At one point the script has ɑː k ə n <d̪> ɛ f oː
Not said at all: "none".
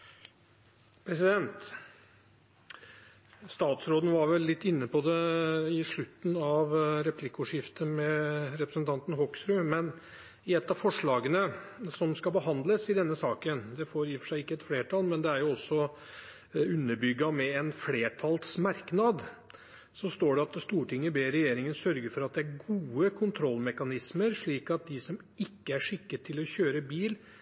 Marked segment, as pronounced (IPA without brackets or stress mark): d̪